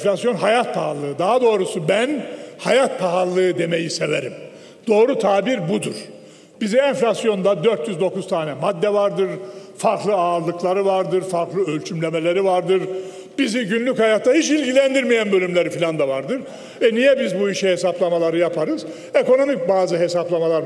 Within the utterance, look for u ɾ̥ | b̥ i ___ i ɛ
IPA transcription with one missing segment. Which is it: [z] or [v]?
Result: z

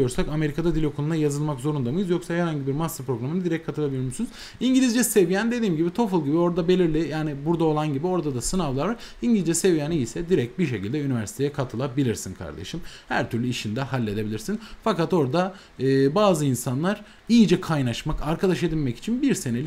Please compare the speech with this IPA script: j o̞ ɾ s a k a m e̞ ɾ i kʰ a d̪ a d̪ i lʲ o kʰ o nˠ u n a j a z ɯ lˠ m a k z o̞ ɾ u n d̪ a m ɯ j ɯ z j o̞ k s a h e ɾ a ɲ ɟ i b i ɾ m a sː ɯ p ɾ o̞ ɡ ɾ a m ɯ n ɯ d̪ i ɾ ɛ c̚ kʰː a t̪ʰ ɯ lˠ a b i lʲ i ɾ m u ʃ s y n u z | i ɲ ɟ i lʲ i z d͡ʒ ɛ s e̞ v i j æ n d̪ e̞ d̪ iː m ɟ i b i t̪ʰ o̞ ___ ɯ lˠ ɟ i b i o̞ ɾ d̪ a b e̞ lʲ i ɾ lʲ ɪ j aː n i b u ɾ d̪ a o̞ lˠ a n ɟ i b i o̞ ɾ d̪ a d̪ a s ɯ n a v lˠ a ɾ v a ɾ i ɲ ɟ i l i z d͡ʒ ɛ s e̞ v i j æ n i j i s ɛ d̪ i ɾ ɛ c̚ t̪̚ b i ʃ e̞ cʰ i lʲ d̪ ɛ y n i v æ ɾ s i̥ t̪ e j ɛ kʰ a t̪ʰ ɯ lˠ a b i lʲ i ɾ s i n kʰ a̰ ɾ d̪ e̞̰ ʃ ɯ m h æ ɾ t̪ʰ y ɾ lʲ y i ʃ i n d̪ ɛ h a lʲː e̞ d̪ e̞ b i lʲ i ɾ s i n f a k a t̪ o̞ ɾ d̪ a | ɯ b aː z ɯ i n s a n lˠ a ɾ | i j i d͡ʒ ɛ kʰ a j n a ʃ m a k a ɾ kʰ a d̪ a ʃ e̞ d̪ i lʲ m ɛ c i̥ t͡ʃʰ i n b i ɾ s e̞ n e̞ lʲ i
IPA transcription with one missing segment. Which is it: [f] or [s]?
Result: f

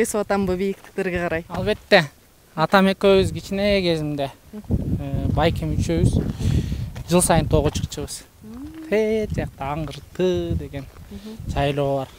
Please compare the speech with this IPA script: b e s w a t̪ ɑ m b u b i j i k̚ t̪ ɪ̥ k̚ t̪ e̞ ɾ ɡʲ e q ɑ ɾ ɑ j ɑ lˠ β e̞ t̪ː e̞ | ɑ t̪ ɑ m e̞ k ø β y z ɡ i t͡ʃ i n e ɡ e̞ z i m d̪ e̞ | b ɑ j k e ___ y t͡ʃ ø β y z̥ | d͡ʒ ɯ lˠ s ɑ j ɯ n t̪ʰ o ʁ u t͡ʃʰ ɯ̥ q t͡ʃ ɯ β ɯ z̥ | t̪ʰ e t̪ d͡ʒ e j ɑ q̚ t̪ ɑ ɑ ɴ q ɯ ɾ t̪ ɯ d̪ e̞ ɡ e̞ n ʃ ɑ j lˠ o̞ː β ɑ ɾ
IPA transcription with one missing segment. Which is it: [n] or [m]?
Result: m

